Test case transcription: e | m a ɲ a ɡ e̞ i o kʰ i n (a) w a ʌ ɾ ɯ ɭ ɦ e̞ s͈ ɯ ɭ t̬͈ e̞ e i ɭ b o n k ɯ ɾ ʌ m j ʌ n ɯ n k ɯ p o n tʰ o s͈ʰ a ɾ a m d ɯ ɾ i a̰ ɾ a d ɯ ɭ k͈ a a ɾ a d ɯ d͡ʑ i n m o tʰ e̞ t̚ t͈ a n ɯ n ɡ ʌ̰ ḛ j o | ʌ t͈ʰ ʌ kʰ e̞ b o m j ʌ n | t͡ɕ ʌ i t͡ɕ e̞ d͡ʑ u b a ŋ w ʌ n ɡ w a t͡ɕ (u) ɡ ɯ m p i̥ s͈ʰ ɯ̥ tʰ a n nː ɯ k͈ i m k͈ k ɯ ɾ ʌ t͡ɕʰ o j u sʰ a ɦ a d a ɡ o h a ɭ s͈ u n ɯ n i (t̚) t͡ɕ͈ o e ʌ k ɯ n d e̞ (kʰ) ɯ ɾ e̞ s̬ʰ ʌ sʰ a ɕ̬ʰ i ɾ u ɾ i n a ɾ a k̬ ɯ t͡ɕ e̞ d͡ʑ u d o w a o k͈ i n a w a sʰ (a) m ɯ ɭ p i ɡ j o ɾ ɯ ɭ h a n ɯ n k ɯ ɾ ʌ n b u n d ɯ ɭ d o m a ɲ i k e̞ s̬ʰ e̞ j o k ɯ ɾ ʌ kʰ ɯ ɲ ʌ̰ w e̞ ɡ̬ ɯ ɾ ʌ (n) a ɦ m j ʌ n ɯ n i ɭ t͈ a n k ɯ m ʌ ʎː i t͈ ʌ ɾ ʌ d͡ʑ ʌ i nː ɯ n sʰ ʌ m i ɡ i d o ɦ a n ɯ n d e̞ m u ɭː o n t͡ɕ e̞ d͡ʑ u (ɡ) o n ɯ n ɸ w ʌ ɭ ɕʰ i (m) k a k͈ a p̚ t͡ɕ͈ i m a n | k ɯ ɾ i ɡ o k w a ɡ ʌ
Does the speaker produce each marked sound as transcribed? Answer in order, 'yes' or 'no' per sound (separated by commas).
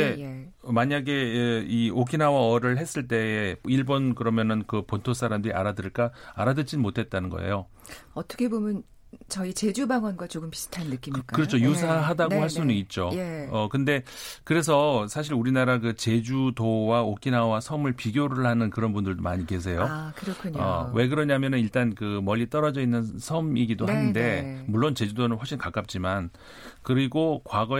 yes, no, yes, no, no, no, no, no